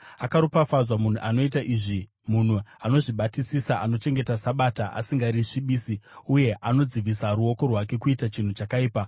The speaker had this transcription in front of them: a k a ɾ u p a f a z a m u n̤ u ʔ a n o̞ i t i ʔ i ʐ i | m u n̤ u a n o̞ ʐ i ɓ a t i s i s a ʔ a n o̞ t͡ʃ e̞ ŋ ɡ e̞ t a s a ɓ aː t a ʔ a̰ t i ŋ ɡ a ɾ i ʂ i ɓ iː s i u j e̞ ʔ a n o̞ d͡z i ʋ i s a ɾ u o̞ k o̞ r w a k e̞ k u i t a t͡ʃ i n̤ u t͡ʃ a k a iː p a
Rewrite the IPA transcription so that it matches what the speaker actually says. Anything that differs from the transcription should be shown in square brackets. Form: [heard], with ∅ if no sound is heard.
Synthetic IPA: a k a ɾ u p a f a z a m u n̤ u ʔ a n o̞ i t [a] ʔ i ʐ i | m u n̤ u a n o̞ ʐ i ɓ a t i s i s a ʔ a n o̞ t͡ʃ e̞ ŋ ɡ e̞ t a s a ɓ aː t a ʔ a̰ [s] i ŋ ɡ a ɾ i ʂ i ɓ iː s i u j e̞ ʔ a n o̞ d͡z i ʋ i s a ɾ u o̞ k o̞ r w a k e̞ k u i t a t͡ʃ i n̤ u t͡ʃ a k a iː p a